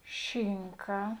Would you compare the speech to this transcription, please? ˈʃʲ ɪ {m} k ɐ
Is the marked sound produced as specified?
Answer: no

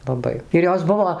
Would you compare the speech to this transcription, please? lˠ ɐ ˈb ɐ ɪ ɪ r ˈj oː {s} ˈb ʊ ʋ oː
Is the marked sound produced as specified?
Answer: yes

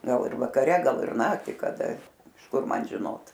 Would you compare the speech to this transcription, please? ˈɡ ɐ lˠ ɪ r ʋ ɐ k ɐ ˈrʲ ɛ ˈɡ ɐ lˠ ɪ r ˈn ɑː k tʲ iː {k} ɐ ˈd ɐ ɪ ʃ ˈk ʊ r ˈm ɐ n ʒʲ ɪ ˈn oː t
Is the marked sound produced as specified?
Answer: yes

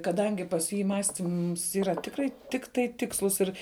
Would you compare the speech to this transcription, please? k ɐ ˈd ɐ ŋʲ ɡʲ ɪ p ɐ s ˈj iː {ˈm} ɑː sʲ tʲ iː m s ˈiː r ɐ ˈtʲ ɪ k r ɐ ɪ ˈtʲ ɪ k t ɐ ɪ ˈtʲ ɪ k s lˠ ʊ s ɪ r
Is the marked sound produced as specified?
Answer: yes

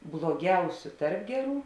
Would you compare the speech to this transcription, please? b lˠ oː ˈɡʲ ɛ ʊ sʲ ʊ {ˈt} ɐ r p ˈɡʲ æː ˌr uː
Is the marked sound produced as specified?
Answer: yes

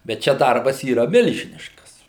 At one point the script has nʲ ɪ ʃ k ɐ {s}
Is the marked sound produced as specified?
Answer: yes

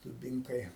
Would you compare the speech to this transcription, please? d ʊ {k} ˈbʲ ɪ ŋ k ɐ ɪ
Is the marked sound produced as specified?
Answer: no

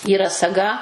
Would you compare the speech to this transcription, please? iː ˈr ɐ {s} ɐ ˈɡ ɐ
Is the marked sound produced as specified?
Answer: yes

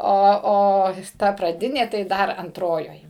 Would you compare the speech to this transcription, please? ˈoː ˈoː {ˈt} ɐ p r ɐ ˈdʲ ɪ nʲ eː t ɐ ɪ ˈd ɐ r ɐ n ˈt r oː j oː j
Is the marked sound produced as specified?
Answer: yes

